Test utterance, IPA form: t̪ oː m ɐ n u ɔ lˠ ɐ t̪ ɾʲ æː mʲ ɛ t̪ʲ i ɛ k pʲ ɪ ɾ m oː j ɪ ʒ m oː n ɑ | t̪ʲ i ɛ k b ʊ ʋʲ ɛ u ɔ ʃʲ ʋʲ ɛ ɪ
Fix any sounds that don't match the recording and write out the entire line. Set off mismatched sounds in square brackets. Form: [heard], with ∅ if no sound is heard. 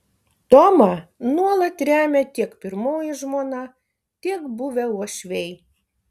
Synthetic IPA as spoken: t̪ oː m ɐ n u ɔ lˠ ɐ t̪ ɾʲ æː mʲ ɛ t̪ʲ i ɛ k pʲ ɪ ɾ m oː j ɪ ʒ m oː n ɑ | t̪ʲ i ɛ k b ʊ ʋʲ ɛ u ɔ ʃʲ ʋʲ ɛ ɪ